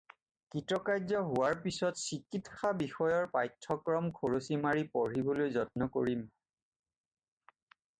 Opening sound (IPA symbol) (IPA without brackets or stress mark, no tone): k